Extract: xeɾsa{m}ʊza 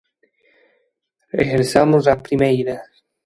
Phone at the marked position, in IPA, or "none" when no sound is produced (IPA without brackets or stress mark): m